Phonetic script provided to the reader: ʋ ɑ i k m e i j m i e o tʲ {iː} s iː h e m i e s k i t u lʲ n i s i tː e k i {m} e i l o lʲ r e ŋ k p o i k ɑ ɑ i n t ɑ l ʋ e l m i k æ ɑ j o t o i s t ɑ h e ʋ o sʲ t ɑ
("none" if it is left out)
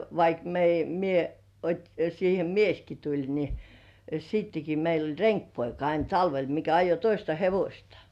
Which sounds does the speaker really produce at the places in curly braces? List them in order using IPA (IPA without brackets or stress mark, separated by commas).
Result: i, m